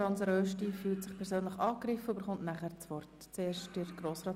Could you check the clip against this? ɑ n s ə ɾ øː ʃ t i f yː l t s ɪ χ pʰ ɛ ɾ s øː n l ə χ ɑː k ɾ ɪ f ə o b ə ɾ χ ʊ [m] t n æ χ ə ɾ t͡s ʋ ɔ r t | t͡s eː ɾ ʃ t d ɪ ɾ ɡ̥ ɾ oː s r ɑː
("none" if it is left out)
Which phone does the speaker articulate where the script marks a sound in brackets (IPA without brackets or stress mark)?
n